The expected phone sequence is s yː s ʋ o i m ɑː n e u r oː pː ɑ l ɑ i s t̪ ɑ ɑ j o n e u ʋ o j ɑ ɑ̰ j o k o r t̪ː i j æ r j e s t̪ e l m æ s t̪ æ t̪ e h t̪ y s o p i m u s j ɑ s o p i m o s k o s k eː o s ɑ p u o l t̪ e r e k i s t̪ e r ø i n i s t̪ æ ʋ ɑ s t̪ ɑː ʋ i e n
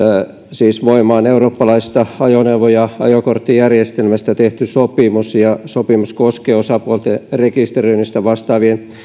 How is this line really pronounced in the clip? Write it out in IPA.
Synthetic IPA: s iː s ʋ o i m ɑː n e u r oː pː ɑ l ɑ i s t̪ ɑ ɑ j o n e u ʋ o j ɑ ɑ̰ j o k o r t̪ː i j æ r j e s t̪ e l m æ s t̪ æ t̪ e h t̪ y s o p i m u s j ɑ s o p i m u s k o s k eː o s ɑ p u o l t̪ e r e k i s t̪ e r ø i n i s t̪ æ ʋ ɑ s t̪ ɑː ʋ i e n